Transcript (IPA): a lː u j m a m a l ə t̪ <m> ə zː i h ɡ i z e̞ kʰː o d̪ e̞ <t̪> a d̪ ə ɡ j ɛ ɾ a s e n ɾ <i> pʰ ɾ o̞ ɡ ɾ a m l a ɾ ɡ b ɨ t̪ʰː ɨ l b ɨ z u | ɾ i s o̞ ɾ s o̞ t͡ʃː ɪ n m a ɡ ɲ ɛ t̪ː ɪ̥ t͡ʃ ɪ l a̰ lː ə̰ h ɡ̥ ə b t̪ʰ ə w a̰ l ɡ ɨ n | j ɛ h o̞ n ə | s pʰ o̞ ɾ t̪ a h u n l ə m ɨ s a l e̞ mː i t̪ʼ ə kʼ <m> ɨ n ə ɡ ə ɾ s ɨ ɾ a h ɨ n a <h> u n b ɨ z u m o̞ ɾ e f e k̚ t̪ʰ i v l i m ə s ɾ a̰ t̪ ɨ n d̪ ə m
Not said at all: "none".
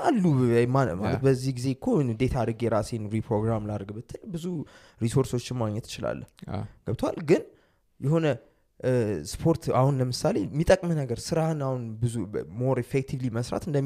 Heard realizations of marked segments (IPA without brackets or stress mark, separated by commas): b, t̪ʰ, i, m, h